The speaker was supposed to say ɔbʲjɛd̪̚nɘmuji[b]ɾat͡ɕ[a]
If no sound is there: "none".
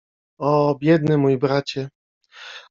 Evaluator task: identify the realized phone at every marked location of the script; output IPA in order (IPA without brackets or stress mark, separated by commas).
b, ɛ